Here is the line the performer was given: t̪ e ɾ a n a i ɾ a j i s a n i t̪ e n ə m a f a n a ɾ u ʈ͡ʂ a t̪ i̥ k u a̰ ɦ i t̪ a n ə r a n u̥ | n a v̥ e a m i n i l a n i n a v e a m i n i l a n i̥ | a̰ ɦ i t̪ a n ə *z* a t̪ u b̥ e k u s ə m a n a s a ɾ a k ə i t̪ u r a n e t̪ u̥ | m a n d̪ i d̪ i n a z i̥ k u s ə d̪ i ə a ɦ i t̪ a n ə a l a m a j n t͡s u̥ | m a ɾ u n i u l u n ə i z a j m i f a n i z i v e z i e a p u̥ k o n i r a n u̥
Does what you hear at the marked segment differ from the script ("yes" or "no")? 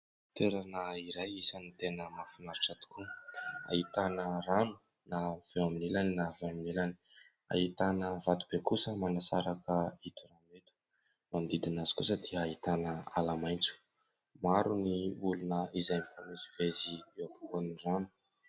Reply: yes